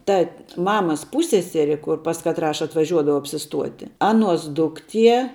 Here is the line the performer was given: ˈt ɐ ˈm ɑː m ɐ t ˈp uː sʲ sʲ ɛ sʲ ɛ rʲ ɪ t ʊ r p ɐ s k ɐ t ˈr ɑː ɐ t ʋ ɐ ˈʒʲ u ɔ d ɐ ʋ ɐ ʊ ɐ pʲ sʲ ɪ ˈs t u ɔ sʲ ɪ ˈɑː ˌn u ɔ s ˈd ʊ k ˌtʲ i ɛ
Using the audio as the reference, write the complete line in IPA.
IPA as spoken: ˈt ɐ ˈm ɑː m ɐ s ˈp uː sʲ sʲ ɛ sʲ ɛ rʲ ɪ k ʊ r p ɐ s k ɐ t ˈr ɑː ɐ t ʋ ɐ ˈʒʲ u ɔ d ɐ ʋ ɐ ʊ ɐ pʲ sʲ ɪ ˈs t u ɔ tʲ ɪ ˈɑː ˌn u ɔ s ˈd ʊ k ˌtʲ i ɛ